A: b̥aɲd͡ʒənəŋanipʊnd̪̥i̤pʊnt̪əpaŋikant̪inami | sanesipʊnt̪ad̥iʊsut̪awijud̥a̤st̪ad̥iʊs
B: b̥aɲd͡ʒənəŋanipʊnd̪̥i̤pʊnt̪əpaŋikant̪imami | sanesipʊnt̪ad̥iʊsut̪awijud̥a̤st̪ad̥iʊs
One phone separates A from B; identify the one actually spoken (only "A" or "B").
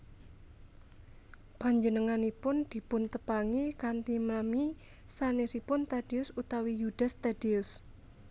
B